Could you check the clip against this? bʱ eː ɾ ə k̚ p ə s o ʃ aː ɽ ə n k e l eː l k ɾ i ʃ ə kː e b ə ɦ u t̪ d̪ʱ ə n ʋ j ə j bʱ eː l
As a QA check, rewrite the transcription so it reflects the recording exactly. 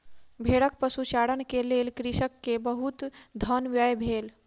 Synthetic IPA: bʱ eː ɽ ə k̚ p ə s u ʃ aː ɽ ə n k e l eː l k ɾ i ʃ ə kː e b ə ɦ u t̪ d̪ʱ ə n ʋ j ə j bʱ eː l